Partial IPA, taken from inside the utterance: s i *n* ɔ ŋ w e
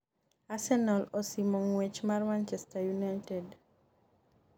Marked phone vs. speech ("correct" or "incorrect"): incorrect